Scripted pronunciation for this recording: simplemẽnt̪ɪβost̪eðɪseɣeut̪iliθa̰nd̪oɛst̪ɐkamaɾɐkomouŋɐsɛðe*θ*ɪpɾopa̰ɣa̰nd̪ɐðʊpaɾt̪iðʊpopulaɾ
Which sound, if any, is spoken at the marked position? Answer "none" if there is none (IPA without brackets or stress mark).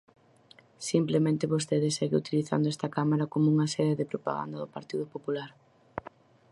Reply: ð